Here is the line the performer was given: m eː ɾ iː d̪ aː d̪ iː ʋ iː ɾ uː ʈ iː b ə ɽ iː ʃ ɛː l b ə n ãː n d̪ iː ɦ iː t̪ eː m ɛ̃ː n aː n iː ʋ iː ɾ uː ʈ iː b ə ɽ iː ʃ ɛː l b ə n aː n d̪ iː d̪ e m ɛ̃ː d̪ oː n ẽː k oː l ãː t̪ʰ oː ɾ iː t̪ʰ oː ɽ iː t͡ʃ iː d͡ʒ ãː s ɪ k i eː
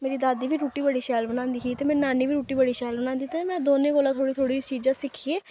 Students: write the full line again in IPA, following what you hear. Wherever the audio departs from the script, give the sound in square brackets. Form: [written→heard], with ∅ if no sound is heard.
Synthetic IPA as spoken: m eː ɾ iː d̪ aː d̪ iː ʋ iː ɾ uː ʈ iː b ə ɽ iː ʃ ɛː l b ə n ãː n d̪ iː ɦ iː t̪ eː m ɛ̃ː n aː n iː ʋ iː ɾ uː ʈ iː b ə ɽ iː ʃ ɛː l b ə n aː n d̪ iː [d̪→t̪] e m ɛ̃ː d̪ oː n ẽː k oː l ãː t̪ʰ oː [ɾ→ɽ] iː t̪ʰ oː ɽ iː t͡ʃ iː d͡ʒ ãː s ɪ [k→kʰ] i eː